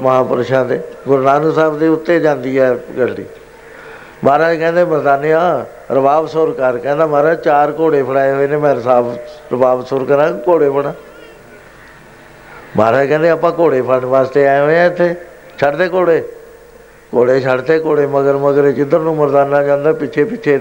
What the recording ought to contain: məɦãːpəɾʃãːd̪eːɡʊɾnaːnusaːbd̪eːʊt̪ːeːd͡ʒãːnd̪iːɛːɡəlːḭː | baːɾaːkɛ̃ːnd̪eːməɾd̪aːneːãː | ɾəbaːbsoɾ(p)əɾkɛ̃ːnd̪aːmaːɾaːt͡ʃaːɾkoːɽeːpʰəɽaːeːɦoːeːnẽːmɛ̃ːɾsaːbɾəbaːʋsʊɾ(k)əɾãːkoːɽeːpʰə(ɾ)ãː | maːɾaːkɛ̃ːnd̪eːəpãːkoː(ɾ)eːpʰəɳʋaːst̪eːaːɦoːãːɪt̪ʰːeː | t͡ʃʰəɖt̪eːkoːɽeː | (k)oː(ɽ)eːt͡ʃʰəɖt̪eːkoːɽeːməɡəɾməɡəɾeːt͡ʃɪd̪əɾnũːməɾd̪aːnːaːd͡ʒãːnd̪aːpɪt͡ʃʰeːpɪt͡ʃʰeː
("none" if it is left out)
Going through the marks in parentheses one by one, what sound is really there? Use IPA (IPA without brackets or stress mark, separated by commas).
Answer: k, k, ɽ, ɽ, k, ɽ